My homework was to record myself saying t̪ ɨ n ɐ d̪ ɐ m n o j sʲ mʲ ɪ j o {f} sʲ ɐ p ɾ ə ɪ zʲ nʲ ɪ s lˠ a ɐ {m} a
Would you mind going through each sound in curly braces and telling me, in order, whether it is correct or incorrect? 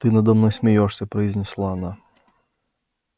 incorrect: ʂ, incorrect: n

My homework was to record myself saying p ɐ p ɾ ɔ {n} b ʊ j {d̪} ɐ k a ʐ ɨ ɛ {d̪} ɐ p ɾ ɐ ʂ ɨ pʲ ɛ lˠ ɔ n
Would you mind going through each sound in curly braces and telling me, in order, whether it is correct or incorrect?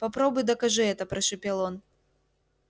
incorrect: none, correct, incorrect: t̪

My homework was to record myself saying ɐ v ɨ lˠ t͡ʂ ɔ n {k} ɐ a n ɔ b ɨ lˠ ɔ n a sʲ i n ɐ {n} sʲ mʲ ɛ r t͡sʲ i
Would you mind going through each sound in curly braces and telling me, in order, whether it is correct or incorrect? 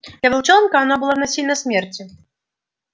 correct, incorrect: none

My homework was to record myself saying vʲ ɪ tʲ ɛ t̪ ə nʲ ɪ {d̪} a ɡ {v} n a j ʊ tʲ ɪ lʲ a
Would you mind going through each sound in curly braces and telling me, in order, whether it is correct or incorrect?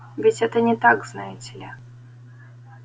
incorrect: t̪, incorrect: z

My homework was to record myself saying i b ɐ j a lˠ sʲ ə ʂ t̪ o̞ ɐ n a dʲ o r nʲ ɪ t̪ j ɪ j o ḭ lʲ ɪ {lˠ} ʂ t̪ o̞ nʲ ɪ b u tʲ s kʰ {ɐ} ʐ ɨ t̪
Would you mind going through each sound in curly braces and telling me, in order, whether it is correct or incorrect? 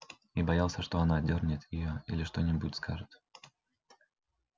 incorrect: none, incorrect: a

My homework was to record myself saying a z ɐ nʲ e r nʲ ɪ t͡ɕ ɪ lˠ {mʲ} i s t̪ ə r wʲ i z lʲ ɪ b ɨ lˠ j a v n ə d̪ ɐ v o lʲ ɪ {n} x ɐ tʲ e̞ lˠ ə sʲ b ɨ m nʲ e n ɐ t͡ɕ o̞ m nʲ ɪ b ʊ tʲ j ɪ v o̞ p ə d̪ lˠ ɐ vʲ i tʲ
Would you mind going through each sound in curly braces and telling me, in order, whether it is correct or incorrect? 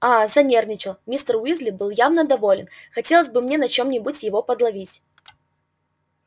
correct, correct

